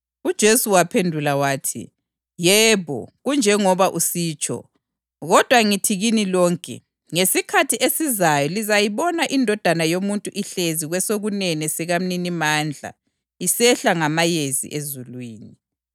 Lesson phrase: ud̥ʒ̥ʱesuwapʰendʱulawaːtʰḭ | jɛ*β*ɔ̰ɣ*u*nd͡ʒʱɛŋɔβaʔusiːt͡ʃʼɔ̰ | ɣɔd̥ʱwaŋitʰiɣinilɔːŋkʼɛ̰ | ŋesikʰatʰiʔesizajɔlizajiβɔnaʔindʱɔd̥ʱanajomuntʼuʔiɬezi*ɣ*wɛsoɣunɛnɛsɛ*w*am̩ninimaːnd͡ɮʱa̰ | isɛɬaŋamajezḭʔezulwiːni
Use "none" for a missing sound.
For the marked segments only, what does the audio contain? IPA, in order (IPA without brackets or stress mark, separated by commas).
β, u, ɣ, ɣ